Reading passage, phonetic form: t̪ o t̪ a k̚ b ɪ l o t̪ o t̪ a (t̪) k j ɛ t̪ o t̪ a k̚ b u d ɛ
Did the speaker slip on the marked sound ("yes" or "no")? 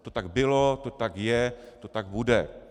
yes